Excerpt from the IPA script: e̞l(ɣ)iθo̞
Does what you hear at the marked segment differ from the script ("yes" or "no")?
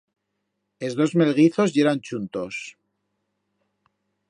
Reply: no